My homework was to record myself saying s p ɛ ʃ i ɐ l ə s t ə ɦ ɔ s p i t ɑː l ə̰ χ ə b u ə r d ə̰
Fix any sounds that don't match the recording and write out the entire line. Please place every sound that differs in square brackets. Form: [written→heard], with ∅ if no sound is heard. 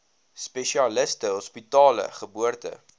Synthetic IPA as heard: s p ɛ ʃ i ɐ l ə s t ə ɦ ɔ s p i t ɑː l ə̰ χ ə b u ə r [d→t] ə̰